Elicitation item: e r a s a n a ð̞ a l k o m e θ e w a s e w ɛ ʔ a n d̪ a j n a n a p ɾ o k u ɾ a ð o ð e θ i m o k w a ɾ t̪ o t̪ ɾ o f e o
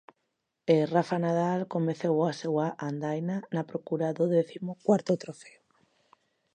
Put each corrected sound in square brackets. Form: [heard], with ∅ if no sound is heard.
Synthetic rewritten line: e r a [f] a n a ð̞ a l k o m e θ e w a s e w [a] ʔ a n d̪ a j n a n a p ɾ o k u ɾ a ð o ð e θ i m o k w a ɾ t̪ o t̪ ɾ o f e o